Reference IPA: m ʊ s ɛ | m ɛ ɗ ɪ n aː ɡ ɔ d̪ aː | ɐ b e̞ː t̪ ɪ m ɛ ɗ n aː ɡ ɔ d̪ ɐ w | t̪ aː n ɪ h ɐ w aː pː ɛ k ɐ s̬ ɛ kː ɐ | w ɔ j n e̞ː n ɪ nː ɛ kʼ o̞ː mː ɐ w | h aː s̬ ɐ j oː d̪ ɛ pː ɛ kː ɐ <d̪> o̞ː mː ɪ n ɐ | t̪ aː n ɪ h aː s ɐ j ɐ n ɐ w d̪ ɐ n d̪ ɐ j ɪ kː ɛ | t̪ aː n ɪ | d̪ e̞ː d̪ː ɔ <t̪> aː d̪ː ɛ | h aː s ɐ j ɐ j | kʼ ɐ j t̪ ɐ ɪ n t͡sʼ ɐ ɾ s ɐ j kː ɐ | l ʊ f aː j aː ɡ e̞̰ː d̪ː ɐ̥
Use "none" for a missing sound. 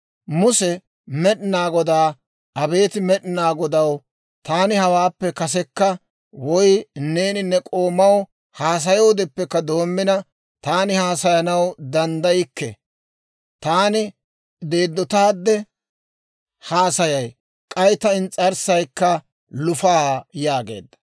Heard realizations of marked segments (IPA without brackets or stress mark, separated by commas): d̪, t̪